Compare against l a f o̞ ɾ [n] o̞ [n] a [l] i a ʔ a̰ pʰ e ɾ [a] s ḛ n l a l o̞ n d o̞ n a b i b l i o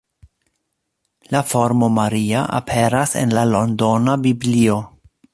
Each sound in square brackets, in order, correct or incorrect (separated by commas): incorrect, incorrect, incorrect, correct